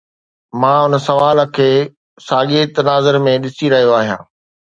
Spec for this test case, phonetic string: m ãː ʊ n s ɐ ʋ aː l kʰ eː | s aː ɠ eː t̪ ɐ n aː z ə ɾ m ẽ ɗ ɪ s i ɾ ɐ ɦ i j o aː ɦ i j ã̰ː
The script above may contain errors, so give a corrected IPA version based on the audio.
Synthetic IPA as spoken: m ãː ʊ n s ɐ ʋ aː l kʰ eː | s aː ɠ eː t̪ ɐ n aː z ə ɾ m ẽ ɗ ɪ s i ɾ ɐ ɦ i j o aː ɦ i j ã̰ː